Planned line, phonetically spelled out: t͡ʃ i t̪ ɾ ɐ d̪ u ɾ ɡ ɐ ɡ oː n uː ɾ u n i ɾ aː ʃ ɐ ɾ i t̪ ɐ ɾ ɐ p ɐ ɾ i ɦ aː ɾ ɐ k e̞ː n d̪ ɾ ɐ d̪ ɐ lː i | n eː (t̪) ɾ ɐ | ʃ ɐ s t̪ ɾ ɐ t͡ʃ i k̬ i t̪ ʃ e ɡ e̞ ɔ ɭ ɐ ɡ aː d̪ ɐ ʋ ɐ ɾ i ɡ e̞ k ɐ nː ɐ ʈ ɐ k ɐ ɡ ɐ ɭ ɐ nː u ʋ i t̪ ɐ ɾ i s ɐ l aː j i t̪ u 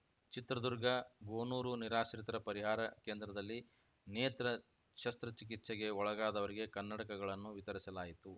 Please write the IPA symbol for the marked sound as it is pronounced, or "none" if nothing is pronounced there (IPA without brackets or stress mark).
t̪